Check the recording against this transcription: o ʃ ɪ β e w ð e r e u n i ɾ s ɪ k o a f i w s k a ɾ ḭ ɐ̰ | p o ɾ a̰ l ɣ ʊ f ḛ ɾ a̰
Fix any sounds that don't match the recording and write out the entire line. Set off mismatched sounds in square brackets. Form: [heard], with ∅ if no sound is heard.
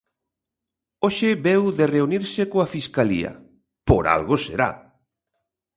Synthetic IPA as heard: o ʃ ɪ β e w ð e r e u n i ɾ s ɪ k o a f i [∅] s k a [l] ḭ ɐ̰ | p o ɾ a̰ l ɣ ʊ [s] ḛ ɾ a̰